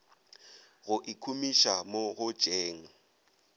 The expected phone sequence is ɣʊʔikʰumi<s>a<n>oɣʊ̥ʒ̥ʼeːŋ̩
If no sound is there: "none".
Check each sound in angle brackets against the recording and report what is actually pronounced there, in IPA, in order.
ʃ, m

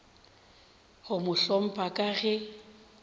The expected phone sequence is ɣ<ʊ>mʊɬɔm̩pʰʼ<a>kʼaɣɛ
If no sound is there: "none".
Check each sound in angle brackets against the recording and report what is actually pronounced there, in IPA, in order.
ʊ, a

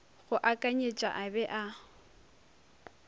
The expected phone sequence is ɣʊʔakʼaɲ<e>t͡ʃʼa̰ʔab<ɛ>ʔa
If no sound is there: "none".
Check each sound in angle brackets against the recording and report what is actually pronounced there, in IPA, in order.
e, ɛ

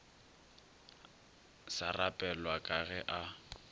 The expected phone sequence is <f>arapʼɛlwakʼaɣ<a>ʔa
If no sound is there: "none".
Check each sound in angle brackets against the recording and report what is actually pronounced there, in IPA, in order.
s, ɛ

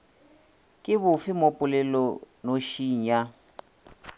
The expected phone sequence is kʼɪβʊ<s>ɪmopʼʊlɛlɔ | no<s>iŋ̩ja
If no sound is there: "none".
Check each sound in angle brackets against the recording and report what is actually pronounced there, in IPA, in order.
f, ʃ

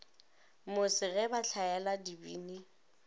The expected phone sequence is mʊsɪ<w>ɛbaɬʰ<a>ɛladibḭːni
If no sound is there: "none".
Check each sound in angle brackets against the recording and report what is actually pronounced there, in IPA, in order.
ɣ, a

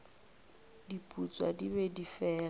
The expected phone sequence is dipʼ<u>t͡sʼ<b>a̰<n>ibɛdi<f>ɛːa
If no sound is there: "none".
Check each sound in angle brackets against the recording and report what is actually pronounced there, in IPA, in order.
u, w, d, f

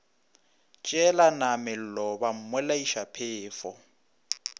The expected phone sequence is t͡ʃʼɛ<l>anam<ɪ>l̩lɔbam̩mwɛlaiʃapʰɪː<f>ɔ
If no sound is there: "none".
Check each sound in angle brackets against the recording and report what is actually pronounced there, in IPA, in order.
l, ɪ, f

